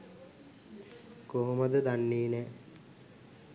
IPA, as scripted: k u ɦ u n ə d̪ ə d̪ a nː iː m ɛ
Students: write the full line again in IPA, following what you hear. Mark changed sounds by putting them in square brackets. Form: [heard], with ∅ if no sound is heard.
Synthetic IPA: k [o] ɦ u [m] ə d̪ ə d̪ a nː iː [n] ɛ